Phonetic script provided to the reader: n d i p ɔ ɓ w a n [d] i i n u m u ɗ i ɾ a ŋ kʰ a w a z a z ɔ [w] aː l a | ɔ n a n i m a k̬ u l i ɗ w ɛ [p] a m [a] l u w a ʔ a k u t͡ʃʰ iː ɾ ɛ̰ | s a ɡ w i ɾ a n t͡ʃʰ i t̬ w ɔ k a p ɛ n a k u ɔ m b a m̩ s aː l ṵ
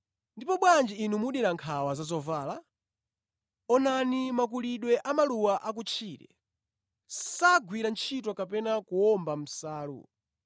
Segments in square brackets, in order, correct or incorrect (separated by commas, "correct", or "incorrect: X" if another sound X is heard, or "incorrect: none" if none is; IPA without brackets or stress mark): incorrect: d͡ʒ, incorrect: v, incorrect: ʔ, correct